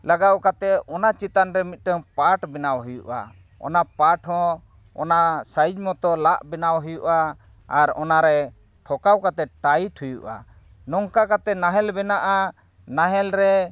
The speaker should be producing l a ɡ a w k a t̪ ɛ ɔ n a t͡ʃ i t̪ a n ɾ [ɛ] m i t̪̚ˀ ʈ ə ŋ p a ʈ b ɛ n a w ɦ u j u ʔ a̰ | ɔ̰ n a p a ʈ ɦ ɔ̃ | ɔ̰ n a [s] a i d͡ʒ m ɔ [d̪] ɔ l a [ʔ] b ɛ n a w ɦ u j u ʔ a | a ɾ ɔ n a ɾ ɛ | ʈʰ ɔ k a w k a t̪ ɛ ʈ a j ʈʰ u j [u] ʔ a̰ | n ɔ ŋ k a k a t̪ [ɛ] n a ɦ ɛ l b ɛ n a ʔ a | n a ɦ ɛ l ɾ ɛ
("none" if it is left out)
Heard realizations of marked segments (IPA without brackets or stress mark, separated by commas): ɛ, s, t̪, ʔ, u, ɛ